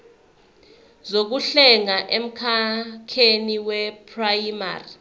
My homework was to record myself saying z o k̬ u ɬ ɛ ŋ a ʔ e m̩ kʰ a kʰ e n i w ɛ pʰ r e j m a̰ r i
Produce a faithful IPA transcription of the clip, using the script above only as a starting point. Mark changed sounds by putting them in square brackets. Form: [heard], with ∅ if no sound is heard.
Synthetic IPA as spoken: z o k̬ u ɬ ɛ ŋ a ʔ e m̩ kʰ a kʰ e n i w ɛ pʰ r [a] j m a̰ r i